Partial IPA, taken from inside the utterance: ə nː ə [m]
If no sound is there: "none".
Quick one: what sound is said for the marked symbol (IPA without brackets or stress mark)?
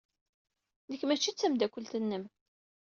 m